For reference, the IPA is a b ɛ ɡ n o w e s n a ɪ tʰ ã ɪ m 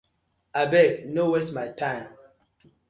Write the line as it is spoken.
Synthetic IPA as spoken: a b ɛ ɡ n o w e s m a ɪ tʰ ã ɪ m